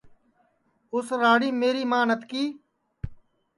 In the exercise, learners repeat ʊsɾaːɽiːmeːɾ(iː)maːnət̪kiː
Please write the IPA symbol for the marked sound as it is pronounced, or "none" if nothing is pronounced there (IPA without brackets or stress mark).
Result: iː